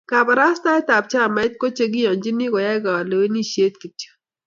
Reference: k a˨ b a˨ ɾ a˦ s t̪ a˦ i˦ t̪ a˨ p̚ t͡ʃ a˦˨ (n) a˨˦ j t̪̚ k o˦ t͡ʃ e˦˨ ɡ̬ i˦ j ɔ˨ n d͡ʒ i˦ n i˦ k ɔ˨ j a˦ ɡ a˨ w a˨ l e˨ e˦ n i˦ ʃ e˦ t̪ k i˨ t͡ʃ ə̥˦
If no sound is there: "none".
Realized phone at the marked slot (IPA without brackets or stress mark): m